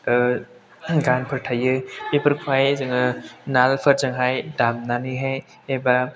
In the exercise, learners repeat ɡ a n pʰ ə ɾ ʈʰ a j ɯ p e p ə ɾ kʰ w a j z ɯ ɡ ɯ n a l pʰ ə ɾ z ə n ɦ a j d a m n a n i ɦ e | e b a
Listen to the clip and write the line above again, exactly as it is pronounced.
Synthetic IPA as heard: ɡ a n pʰ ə ɾ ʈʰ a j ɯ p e p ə ɾ kʰ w a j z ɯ ŋ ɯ n a l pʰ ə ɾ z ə ŋ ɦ a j d a m n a n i ɦ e | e b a